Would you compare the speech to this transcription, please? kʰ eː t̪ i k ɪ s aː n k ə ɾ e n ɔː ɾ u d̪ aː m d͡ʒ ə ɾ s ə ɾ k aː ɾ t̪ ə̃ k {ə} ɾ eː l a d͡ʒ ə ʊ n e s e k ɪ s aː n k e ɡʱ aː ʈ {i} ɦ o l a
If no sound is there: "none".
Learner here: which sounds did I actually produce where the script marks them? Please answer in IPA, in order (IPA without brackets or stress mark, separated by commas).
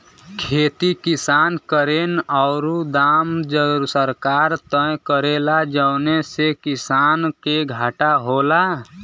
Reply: ə, a